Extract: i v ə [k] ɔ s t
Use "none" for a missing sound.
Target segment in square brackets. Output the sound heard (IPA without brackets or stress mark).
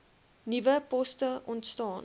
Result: p